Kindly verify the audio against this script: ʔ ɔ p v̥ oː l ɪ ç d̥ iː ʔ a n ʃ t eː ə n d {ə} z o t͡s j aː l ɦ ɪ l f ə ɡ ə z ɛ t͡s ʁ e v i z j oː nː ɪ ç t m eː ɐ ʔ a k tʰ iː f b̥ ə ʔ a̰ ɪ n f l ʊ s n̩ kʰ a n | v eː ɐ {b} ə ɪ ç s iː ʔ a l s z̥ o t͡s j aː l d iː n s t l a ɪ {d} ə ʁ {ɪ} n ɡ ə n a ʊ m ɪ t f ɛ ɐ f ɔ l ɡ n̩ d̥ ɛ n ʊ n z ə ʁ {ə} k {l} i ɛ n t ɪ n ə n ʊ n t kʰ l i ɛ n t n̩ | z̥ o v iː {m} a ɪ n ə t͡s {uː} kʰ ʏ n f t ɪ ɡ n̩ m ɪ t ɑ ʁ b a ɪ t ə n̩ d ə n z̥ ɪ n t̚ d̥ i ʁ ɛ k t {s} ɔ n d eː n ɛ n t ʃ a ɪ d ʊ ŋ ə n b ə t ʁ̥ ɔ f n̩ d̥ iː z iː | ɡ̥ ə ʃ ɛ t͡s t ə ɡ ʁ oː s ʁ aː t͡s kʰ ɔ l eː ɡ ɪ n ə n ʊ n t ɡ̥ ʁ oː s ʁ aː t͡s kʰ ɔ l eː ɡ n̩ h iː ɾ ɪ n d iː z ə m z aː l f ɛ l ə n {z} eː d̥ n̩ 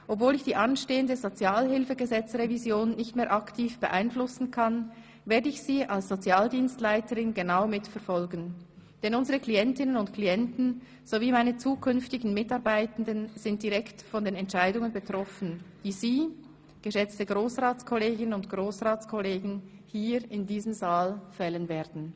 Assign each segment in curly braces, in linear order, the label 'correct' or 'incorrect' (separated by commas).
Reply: correct, incorrect, incorrect, correct, correct, correct, correct, correct, incorrect, incorrect